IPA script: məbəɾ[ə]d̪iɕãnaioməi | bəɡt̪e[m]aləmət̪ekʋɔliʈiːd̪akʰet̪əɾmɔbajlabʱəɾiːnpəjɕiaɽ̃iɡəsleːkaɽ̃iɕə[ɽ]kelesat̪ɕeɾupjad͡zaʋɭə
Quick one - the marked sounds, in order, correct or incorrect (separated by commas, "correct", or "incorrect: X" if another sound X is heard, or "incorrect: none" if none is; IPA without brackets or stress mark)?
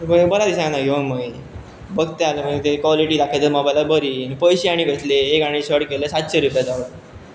incorrect: a, incorrect: none, correct